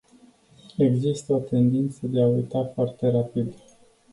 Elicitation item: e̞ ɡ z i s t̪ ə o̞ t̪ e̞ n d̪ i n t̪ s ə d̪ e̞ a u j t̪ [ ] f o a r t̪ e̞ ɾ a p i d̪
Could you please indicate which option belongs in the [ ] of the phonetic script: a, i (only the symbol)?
a